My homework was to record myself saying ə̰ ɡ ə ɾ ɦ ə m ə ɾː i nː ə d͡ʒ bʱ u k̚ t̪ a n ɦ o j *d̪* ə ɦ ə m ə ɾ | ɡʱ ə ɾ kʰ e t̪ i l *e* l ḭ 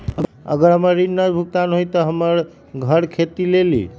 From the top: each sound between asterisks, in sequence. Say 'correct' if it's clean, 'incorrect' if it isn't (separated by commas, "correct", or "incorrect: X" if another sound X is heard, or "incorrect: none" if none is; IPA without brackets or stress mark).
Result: incorrect: t̪, correct